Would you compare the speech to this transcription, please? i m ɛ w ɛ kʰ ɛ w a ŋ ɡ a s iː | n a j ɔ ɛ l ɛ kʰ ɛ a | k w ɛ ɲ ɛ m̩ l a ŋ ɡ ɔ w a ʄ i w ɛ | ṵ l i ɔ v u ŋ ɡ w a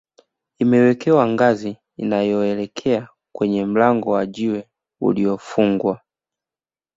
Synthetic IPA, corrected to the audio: i m ɛ w ɛ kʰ ɛ w a ŋ ɡ a z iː | n a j ɔ ɛ l ɛ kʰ ɛ a | k w ɛ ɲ ɛ m̩ l a ŋ ɡ ɔ w a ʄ i w ɛ | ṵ l i ɔ f u ŋ ɡ w a